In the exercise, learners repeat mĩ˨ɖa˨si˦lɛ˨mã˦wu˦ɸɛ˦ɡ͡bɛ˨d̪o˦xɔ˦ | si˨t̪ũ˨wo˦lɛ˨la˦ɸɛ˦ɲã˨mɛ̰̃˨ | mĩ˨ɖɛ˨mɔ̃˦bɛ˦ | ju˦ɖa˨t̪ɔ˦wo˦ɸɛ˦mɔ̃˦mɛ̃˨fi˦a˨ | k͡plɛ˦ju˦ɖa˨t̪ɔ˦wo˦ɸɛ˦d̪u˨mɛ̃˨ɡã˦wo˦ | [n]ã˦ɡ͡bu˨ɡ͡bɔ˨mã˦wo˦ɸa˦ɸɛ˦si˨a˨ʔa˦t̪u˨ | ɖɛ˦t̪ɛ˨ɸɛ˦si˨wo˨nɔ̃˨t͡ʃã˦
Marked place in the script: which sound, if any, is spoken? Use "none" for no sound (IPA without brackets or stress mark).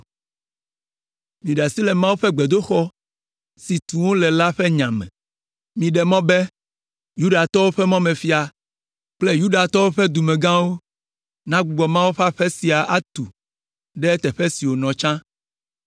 n